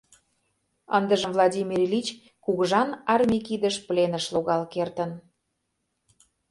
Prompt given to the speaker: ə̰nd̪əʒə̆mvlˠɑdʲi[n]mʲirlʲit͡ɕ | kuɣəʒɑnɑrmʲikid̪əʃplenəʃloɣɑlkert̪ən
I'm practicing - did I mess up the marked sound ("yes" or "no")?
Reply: yes